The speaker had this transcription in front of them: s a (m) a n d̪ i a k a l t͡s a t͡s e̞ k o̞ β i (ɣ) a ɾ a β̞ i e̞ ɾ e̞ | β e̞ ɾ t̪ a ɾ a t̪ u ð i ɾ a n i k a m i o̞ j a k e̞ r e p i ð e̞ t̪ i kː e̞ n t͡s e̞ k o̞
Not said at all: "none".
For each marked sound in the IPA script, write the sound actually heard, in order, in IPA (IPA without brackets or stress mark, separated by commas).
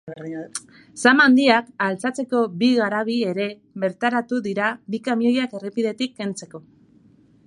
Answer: m, ɣ